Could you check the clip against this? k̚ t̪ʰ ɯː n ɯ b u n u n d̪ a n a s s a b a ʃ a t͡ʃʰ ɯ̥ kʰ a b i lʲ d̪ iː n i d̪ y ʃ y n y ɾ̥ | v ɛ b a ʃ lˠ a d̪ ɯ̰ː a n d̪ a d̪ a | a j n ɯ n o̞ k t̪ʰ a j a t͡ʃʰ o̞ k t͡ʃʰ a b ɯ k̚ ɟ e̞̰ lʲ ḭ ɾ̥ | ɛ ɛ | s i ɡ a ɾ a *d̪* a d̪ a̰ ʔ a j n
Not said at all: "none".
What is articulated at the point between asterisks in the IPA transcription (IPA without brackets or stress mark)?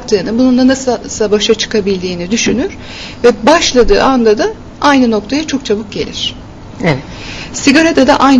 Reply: d̪